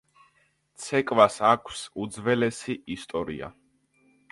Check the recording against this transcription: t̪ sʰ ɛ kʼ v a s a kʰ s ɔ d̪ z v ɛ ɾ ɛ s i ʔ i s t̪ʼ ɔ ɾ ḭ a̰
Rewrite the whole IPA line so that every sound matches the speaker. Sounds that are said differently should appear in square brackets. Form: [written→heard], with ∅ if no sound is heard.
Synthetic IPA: t̪ sʰ ɛ kʼ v a s a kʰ s [ɔ→u] d̪ z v ɛ [ɾ→l] ɛ s i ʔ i s t̪ʼ ɔ ɾ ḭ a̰